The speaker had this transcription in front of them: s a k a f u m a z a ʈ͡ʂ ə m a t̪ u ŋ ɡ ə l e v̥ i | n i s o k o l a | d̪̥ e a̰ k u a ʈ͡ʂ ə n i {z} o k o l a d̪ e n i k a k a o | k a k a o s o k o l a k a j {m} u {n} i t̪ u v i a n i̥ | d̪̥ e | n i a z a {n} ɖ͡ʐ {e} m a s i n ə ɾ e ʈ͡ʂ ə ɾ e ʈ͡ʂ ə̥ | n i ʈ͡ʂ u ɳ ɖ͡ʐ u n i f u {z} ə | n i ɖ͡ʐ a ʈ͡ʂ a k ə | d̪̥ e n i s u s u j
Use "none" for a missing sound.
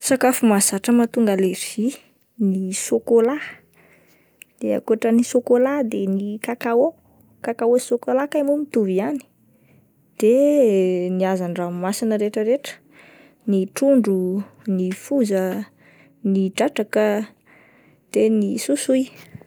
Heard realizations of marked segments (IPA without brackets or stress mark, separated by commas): s, m, m, ɳ, a, z